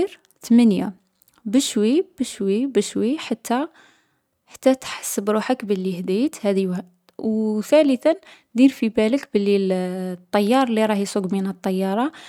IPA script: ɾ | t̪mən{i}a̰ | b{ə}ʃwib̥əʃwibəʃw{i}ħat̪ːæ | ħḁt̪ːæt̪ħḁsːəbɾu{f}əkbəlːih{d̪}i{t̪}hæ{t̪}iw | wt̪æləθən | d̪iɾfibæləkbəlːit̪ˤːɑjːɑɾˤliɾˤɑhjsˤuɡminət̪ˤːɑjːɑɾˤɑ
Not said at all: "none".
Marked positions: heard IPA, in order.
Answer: j, ə, i, ħ, d̪, t̪, d̪

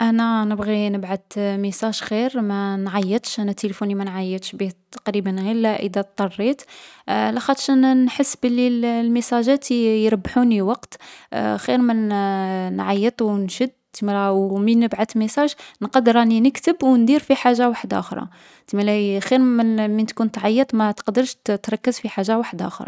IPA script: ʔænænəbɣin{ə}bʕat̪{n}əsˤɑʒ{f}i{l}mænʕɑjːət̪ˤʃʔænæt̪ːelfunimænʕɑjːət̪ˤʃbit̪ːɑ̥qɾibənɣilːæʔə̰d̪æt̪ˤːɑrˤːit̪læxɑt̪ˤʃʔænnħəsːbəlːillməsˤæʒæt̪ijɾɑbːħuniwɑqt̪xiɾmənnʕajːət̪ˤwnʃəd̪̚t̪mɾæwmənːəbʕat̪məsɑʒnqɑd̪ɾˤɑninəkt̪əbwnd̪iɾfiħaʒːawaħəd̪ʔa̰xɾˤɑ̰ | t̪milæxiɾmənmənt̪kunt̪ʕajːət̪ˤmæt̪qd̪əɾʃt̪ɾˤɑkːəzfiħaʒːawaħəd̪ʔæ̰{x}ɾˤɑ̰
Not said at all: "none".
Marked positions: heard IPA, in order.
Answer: ə, m, x, ɾ, x

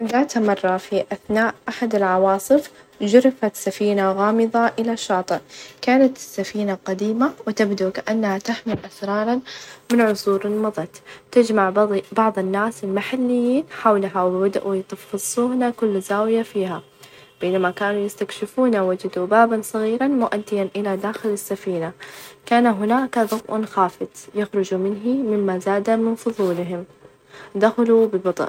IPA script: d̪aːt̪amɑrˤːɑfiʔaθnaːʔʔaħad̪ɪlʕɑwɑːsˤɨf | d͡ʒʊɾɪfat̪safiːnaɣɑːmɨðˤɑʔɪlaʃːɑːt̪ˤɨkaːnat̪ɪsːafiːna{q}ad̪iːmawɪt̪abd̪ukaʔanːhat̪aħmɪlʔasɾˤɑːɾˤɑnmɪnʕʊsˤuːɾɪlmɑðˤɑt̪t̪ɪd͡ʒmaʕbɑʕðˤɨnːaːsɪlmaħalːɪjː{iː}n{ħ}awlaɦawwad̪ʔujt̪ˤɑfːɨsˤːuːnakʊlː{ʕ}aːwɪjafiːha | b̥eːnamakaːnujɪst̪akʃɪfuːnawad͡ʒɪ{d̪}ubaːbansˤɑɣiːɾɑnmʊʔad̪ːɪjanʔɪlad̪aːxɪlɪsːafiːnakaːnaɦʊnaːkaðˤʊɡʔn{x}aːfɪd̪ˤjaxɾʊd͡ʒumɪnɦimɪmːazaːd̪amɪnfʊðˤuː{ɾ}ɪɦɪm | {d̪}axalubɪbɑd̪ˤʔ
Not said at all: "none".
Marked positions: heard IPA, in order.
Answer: q, iː, ħ, z, d̪, x, l, d̪

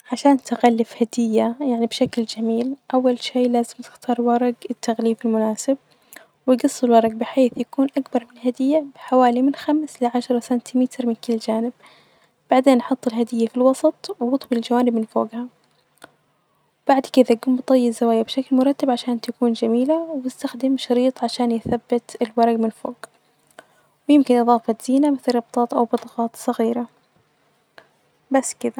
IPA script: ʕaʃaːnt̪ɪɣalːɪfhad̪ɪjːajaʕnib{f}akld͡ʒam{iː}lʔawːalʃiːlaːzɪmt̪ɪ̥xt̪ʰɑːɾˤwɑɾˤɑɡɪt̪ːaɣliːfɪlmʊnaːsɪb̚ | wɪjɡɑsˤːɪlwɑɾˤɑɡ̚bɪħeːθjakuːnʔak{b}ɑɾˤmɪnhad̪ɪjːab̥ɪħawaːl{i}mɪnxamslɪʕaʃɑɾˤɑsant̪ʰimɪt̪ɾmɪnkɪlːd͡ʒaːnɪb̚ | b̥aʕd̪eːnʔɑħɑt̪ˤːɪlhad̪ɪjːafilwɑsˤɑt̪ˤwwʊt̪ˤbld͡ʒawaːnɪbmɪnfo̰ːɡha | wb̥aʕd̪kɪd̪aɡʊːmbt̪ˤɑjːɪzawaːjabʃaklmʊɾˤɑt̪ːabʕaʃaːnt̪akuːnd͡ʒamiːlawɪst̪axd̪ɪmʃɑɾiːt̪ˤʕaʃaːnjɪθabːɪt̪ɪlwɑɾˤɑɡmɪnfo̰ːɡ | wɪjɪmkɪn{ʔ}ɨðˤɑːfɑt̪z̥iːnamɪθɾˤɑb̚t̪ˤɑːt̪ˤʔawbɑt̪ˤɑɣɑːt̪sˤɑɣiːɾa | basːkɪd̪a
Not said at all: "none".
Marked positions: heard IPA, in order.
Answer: ʃ, iː, b, i, ʔ

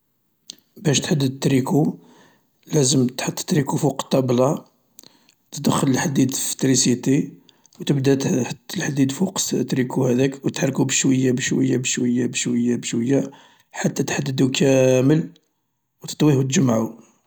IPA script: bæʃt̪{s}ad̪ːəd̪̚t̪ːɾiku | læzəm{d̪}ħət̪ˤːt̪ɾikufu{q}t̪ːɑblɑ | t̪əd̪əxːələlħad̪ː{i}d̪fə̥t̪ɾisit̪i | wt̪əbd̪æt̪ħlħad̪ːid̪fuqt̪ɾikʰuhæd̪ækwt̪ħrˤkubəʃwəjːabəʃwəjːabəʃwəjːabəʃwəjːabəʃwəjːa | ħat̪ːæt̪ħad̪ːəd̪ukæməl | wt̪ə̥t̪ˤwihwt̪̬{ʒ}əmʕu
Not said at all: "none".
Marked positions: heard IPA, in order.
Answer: ħ, t̪, q, i, ʒ

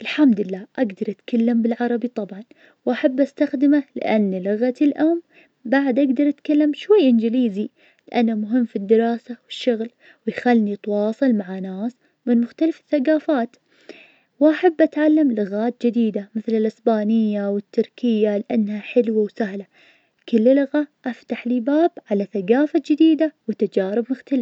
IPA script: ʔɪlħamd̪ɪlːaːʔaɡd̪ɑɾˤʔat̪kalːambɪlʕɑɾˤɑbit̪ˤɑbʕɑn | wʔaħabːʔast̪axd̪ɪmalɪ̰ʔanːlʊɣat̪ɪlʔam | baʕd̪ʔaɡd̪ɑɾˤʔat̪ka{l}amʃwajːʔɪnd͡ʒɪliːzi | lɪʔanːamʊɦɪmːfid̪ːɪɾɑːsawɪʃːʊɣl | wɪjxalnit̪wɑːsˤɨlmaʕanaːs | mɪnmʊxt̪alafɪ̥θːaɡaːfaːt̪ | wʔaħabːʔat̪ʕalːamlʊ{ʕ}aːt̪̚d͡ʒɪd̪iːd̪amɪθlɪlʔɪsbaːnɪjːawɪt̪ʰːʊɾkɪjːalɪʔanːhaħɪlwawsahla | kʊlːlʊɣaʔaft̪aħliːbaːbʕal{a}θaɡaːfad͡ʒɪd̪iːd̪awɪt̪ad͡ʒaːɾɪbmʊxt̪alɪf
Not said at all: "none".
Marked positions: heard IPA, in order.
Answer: lː, ɣ, a

